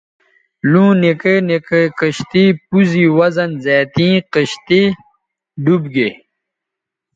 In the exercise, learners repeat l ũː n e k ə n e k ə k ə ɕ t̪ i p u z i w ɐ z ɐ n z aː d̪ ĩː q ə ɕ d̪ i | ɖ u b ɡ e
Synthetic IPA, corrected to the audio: l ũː n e k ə n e k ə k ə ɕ t̪ i p u z i w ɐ z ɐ n z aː t̪ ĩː q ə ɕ t̪ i | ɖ u b ɡ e